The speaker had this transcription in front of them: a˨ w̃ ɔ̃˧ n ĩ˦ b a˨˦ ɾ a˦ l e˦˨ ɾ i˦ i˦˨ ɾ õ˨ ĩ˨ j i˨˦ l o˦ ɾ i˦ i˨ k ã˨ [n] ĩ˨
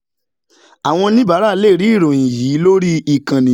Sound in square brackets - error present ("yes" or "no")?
no